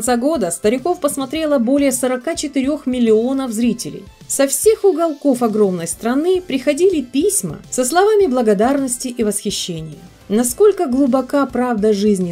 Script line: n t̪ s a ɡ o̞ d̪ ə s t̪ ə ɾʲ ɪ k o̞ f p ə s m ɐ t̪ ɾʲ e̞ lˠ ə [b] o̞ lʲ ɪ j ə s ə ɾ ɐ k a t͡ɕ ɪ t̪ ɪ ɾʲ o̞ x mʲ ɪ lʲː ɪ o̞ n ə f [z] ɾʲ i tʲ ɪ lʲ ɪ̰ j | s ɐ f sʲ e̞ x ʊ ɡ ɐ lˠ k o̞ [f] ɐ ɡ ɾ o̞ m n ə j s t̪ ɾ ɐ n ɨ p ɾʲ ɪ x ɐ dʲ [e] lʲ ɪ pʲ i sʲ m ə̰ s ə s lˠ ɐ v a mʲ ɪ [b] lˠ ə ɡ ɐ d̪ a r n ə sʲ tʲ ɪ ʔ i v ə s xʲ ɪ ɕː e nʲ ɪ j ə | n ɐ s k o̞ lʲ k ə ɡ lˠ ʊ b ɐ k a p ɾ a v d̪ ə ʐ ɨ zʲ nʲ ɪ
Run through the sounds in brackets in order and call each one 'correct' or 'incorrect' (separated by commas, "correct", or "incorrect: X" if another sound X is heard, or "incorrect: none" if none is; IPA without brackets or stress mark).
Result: correct, correct, correct, incorrect: i, correct